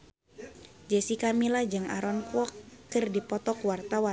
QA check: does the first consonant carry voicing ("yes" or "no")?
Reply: yes